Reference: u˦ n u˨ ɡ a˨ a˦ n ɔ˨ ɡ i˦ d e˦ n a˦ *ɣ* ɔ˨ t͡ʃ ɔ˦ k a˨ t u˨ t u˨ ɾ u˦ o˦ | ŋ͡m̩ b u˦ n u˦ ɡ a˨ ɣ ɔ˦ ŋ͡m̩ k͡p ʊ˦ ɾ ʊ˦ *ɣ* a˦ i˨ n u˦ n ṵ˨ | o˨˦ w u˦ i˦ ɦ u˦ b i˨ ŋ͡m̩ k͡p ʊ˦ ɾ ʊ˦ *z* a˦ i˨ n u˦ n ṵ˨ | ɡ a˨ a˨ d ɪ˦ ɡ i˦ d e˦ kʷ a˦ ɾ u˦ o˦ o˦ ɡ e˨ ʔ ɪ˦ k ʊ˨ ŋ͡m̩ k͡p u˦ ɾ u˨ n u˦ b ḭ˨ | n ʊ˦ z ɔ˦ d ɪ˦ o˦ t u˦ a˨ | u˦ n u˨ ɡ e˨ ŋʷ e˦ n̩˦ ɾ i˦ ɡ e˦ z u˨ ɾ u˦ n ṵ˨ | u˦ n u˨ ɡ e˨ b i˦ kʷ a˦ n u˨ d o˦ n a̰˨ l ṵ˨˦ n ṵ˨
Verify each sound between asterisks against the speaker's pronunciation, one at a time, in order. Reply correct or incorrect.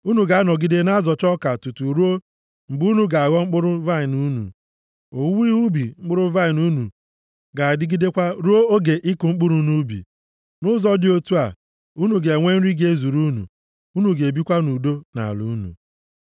incorrect, incorrect, incorrect

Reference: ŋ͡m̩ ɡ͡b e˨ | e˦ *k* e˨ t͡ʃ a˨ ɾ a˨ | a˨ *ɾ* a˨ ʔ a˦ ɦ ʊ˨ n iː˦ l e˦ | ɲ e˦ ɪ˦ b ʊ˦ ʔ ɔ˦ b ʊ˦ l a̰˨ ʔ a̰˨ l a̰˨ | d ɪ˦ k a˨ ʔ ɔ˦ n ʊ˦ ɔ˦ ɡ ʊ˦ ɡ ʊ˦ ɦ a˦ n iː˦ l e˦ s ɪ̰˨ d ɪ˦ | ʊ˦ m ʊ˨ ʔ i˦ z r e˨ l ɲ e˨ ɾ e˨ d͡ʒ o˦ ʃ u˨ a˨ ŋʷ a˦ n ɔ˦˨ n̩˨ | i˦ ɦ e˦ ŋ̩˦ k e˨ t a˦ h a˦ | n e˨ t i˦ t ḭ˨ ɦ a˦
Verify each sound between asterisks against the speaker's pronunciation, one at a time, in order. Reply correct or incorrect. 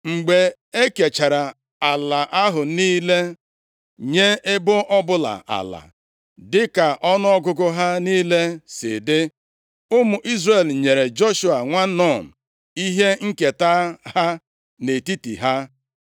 correct, incorrect

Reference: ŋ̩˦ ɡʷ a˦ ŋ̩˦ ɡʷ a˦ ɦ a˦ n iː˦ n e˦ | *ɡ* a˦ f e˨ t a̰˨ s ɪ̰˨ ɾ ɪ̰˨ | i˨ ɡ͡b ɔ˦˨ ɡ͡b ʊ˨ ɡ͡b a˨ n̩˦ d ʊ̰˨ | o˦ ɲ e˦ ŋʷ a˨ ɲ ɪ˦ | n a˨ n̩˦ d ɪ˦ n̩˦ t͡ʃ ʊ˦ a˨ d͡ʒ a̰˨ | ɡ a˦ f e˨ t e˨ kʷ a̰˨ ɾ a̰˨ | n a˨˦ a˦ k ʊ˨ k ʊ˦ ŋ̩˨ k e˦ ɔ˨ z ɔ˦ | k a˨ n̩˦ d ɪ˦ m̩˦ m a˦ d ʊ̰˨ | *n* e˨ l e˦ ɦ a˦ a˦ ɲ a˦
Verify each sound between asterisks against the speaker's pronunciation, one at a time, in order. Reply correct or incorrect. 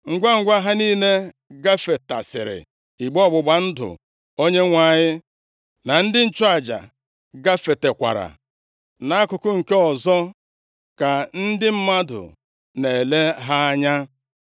correct, correct

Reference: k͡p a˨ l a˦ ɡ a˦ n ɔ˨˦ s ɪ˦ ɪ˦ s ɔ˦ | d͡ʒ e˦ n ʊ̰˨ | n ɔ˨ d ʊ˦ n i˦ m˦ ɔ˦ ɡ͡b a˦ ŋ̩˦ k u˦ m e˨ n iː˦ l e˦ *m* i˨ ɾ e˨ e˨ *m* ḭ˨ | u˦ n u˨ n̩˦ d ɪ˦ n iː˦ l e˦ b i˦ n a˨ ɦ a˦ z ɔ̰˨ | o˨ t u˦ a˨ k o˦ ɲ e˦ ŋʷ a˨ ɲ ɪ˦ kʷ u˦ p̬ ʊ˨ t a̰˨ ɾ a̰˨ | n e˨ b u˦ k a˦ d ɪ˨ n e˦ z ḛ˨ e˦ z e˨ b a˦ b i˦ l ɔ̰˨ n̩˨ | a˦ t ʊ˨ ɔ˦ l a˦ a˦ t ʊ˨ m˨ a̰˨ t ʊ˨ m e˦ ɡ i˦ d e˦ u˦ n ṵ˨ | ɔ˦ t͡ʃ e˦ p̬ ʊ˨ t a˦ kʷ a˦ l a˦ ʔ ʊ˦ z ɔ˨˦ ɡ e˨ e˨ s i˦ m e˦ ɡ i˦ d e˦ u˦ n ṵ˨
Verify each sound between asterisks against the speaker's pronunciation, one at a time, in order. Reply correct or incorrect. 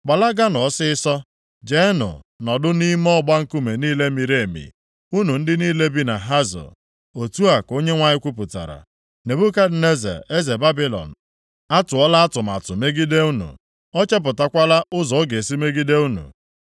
correct, correct

